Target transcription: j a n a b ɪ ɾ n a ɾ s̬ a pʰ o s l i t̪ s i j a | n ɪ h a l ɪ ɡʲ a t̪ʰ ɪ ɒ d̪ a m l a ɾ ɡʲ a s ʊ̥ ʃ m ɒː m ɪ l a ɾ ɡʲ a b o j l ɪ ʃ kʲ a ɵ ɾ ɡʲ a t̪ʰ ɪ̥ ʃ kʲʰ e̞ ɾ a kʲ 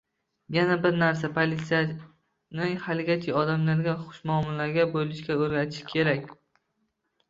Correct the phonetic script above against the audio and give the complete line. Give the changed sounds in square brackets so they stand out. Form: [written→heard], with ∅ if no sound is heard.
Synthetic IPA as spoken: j a n a b ɪ ɾ n a ɾ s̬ a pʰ o [s→∅] l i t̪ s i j a | n ɪ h a l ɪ ɡʲ a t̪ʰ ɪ ɒ d̪ a m l a ɾ ɡʲ a [s→χ] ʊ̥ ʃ m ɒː m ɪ l a ɾ ɡʲ a b o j l ɪ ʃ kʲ a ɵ ɾ ɡʲ a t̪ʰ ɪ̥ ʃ kʲʰ e̞ ɾ a kʲ